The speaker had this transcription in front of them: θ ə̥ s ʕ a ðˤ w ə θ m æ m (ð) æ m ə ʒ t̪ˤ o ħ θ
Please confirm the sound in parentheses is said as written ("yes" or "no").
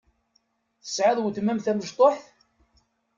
no